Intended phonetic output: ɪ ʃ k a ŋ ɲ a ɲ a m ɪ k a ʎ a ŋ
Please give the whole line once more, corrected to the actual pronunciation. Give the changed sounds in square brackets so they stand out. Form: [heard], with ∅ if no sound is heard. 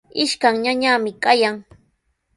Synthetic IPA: ɪ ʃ k a ŋ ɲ a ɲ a m ɪ k a [j] a ŋ